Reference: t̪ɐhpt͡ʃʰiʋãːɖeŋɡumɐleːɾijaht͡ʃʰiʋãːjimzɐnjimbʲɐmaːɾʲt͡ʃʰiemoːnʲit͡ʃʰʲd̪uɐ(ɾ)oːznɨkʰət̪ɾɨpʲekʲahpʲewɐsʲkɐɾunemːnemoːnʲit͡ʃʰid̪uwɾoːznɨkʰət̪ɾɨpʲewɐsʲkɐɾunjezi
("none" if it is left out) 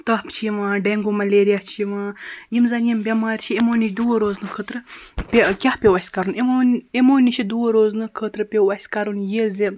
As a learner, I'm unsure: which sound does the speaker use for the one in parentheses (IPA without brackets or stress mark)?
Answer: ɾ